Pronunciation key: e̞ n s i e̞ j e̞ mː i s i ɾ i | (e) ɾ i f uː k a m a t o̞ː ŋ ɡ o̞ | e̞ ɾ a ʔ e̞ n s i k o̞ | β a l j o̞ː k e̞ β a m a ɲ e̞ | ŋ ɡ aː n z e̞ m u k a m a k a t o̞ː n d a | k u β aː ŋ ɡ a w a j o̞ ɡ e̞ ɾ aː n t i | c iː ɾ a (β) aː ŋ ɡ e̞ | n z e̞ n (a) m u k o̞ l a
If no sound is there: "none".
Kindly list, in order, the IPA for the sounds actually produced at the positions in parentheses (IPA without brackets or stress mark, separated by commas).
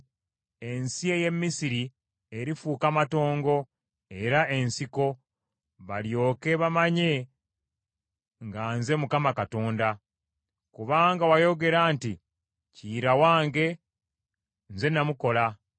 e, w, a